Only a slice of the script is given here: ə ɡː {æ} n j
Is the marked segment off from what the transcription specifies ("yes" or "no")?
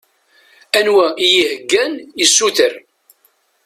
no